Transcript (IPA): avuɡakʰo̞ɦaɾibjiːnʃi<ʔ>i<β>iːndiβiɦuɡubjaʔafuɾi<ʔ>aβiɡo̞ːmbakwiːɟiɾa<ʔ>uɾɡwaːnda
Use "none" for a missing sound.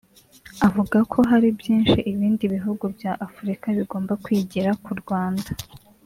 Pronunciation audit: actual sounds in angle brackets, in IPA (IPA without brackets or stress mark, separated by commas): ʔ, β, k, k